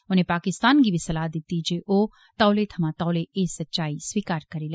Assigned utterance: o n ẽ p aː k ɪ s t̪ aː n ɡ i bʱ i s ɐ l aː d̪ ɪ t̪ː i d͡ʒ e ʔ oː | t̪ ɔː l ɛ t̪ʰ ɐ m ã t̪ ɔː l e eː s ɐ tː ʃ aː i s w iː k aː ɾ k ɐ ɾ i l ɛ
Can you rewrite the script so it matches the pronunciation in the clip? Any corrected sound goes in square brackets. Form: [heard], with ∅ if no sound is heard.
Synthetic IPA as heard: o n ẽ p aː k ɪ s t̪ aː n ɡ i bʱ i s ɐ l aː d̪ ɪ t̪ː i d͡ʒ e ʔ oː | t̪ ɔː l [e] t̪ʰ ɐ m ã t̪ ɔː l e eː s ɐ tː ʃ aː i s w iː k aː ɾ k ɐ ɾ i l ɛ